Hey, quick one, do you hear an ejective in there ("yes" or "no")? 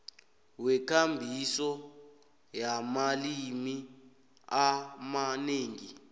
no